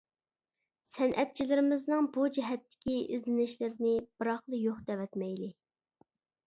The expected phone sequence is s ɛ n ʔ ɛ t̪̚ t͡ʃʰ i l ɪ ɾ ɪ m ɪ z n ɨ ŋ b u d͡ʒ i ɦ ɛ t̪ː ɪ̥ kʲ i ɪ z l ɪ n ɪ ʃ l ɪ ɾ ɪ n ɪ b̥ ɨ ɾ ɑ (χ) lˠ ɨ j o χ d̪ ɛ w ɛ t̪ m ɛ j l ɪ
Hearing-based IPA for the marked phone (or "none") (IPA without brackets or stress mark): χ